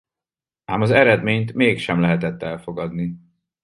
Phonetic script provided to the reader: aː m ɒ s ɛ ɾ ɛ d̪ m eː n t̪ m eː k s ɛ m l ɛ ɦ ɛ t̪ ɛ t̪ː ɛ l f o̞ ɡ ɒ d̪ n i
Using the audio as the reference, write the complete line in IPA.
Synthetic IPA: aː m ɒ z ɛ ɾ ɛ d̪ m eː ɲ t̪ m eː k ʃ ɛ m l ɛ ɦ ɛ t̪ ɛ t̪ː ɛ l f o̞ ɡ ɒ d̪ n i